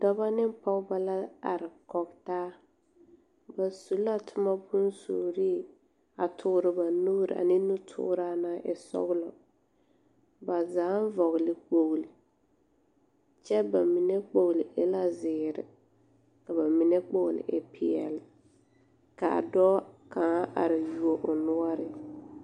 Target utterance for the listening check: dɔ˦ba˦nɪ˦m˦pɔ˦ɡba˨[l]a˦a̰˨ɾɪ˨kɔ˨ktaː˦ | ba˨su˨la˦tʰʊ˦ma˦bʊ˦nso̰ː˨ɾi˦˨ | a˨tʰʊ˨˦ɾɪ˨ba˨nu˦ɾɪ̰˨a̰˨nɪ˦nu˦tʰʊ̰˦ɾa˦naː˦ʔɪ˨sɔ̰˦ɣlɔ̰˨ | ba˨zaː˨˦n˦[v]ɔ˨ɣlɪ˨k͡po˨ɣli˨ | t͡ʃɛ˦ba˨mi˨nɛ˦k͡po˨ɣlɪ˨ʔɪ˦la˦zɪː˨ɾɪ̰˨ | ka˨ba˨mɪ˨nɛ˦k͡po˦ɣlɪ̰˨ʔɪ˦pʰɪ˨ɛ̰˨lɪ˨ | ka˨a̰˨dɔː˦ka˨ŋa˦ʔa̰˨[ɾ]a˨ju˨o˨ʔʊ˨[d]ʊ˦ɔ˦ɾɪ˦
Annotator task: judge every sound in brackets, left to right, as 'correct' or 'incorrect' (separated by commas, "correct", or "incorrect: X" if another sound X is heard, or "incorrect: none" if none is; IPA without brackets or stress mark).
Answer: correct, correct, correct, incorrect: n